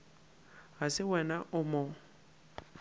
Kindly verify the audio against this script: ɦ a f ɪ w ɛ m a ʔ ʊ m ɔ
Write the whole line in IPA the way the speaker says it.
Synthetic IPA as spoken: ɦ a s ɪ w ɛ n a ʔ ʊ m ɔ